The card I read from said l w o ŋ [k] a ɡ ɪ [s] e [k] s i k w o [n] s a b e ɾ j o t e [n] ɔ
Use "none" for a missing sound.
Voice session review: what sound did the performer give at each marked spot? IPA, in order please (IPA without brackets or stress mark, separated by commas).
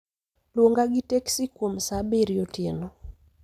ɡ, t, k, m, n